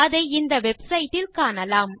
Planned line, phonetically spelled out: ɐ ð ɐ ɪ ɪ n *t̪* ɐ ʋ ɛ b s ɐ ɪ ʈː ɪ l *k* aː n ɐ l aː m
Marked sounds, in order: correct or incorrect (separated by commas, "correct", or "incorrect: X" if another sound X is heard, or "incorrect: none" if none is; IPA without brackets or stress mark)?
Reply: incorrect: d̪, correct